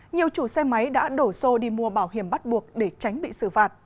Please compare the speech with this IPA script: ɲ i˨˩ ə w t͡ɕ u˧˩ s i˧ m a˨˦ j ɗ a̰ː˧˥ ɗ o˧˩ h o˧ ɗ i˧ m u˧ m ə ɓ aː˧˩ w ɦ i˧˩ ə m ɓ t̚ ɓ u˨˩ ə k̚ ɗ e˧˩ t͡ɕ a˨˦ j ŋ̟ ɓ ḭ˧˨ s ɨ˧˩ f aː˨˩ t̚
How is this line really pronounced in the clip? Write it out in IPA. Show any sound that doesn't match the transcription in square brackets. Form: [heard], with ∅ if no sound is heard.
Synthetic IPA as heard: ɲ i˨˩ ə w t͡ɕ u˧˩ s [ɛ˧] m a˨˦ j ɗ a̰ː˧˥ ɗ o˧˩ [s] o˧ ɗ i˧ m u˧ [∅] ə ɓ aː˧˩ w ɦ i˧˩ ə m ɓ t̚ ɓ u˨˩ ə k̚ ɗ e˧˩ t͡ɕ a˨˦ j ŋ̟ ɓ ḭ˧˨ s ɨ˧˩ f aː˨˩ t̚